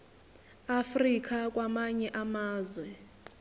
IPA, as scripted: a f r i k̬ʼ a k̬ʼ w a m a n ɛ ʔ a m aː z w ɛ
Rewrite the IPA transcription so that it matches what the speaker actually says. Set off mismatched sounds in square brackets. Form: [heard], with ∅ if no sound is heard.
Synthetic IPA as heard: a f r i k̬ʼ a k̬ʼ w a m a [ɲ] ɛ ʔ a m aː z w ɛ